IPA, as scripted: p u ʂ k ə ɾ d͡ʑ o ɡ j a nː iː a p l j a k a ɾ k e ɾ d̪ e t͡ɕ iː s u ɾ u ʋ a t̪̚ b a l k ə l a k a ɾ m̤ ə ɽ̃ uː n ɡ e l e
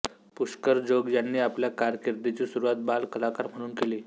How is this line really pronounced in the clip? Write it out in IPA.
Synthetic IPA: p u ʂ k ə ɾ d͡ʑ o ɡ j a nː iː a p l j a k a ɾ k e ɾ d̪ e t͡ɕ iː s u ɾ u ʋ a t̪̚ b a l k ə l a k a ɾ m̤ ə ɽ̃ uː n k e l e